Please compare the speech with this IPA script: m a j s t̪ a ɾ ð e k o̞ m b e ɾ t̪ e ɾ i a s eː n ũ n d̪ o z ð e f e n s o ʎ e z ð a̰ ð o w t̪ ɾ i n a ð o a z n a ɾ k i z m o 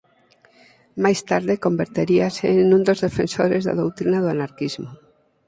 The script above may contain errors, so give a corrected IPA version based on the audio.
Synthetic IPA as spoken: m a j s t̪ a ɾ ð e k o̞ m b e ɾ t̪ e ɾ i a s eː n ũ n d̪ o z ð e f e n s o ɾ e z ð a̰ ð o w t̪ ɾ i n a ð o a n a ɾ k i z m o